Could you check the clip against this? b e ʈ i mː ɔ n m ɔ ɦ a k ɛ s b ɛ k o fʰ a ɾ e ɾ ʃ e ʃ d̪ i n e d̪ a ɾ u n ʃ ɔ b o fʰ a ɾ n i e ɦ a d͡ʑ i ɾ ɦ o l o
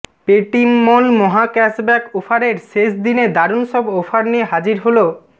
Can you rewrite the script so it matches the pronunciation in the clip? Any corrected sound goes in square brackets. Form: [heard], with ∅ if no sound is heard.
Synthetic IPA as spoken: [p] e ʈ i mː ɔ n m ɔ ɦ a k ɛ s b ɛ k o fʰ a ɾ e ɾ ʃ e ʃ d̪ i n e d̪ a ɾ u n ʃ ɔ b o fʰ a ɾ n i e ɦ a d͡ʑ i ɾ ɦ o l o